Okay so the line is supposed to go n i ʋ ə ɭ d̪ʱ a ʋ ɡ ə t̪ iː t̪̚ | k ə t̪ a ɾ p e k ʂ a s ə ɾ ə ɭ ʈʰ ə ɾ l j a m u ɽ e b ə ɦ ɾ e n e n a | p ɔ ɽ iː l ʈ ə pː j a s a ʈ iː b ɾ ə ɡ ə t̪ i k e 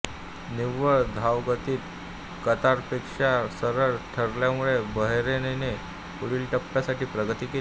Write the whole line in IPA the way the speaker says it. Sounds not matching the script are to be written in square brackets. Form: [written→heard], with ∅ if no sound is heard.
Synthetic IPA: n i ʋ ə ɭ d̪ʱ a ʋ ɡ ə t̪ iː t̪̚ | k ə t̪ a ɾ p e k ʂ a s ə ɾ ə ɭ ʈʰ ə ɾ l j a m u [ɽ→ɭ] e b ə ɦ ɾ e n e n [a→e] | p [ɔ→u] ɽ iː l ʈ ə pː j a s a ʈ iː [b→p] ɾ ə ɡ ə t̪ i k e